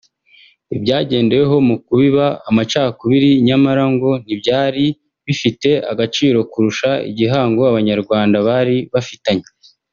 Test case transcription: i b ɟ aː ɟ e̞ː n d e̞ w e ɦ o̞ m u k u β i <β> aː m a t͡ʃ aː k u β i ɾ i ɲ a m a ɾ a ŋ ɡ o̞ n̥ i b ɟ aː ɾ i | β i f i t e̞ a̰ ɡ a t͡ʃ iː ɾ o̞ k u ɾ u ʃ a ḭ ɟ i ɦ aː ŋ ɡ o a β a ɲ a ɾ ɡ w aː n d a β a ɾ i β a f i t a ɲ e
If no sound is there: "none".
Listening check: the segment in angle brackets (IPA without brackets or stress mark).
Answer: β